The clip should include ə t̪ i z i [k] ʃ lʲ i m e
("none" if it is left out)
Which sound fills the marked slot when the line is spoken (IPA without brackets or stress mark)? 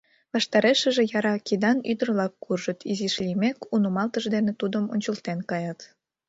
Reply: none